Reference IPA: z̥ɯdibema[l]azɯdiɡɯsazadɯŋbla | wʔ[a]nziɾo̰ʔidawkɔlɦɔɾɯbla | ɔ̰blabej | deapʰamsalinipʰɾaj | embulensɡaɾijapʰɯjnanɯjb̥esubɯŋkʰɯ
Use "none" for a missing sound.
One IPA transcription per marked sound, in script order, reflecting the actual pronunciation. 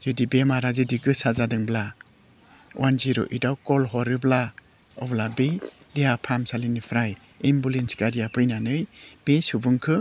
ɾ, a

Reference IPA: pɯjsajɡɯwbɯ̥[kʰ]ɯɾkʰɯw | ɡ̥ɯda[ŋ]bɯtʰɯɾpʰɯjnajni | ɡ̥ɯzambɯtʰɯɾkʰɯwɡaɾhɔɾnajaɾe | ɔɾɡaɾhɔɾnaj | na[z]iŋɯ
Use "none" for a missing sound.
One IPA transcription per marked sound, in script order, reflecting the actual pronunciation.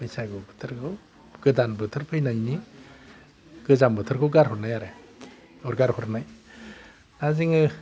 tʰ, n, z

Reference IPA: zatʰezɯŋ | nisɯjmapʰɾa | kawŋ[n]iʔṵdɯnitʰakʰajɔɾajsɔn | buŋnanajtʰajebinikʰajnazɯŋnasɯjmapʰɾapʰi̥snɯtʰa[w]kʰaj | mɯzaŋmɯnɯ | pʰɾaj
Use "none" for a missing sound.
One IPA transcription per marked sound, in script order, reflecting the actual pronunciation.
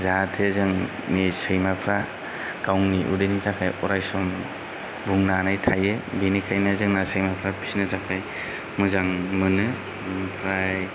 n, none

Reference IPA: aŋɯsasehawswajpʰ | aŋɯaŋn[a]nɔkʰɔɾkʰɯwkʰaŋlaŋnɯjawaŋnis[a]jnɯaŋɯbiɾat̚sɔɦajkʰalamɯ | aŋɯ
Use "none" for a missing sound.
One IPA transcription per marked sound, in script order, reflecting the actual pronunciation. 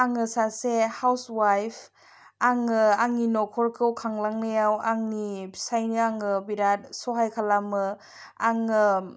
i, a

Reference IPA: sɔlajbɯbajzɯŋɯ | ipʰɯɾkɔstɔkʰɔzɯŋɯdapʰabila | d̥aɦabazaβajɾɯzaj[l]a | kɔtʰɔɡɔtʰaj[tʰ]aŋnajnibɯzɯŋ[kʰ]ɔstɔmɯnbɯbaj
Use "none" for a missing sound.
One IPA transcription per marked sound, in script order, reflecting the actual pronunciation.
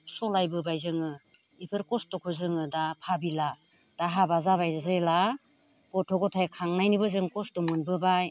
l, kʰ, k

